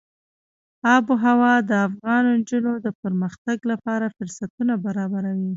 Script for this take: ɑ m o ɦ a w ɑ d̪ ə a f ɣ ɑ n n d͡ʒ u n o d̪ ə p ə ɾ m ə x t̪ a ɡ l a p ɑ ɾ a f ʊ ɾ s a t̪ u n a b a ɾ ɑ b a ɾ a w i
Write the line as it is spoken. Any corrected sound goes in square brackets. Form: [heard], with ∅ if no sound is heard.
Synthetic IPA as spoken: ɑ [b] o ɦ a w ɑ d̪ ə a f ɣ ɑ n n d͡ʒ u n o d̪ ə p ə ɾ m ə x t̪ a ɡ l a p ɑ ɾ a f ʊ ɾ s a t̪ u n a b a ɾ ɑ b a ɾ a w i